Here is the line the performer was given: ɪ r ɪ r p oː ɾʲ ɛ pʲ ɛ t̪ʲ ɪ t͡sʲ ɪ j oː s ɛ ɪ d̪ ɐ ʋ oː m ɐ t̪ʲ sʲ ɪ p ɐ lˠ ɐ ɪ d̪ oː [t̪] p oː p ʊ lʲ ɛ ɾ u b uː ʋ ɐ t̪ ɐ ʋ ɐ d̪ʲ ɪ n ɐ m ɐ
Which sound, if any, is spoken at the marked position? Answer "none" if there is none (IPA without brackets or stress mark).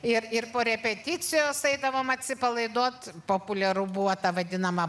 t̪